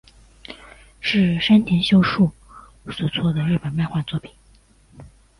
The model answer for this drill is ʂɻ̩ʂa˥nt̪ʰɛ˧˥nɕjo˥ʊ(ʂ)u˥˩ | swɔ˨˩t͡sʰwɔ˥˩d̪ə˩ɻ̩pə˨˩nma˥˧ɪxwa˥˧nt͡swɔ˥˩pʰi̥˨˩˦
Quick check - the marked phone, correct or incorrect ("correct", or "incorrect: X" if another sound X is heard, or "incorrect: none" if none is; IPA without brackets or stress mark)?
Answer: correct